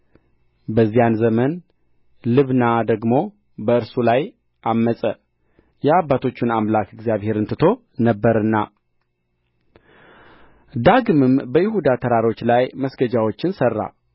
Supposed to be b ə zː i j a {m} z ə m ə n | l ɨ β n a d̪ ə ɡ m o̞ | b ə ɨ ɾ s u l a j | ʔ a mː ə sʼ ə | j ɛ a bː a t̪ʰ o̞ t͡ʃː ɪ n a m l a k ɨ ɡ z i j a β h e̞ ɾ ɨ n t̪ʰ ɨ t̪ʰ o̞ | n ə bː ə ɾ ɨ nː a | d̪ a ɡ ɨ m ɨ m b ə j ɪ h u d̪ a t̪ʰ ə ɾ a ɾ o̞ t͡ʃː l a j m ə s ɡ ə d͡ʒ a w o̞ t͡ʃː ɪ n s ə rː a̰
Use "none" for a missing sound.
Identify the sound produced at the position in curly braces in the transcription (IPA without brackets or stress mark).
n